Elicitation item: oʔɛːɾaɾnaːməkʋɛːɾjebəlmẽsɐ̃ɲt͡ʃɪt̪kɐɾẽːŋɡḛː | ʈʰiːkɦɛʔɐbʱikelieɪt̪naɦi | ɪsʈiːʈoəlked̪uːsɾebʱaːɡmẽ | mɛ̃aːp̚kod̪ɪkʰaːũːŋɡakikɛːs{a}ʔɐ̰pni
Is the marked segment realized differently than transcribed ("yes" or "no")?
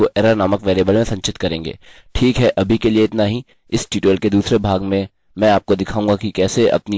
yes